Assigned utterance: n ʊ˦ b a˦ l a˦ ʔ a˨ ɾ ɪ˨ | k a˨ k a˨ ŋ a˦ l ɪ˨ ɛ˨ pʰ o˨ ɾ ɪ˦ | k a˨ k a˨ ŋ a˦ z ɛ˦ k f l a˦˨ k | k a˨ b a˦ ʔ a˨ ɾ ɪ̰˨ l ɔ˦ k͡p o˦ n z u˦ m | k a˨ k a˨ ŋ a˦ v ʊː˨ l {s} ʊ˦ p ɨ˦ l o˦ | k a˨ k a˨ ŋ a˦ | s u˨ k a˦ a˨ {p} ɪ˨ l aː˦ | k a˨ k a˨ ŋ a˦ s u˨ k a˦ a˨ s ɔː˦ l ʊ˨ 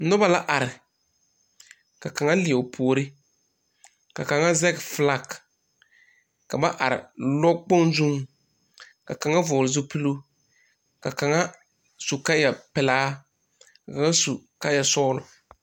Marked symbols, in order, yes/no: no, yes

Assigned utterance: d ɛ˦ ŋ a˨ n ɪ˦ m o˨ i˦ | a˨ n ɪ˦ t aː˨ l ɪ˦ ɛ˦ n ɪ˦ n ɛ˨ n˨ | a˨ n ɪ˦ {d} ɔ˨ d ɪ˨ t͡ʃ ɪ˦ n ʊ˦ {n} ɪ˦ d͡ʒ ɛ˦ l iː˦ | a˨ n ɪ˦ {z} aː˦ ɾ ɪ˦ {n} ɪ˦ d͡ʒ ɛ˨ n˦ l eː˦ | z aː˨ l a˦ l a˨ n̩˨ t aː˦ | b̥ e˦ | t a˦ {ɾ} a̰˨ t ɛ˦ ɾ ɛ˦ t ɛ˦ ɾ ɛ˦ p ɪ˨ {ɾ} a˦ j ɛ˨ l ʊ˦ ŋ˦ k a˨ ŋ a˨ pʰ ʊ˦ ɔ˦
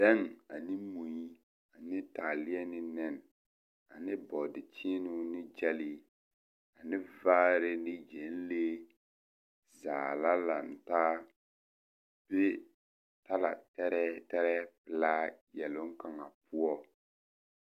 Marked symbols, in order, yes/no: no, yes, no, yes, no, no

